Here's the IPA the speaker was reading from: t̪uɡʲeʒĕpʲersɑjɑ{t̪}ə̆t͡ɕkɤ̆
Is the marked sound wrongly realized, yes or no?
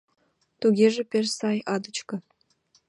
yes